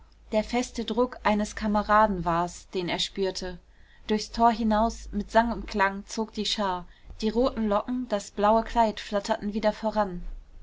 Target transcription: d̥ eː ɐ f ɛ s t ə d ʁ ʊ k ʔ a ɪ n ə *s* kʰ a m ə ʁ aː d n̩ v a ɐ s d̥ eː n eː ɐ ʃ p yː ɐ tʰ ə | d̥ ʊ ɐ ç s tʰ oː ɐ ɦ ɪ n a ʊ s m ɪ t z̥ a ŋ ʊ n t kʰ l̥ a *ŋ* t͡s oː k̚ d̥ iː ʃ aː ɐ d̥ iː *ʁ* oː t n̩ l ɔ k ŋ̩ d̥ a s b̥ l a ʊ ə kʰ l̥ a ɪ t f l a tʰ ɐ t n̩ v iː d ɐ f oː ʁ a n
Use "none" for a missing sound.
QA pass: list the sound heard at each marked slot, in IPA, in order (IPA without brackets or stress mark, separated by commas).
s, ŋ, ʁ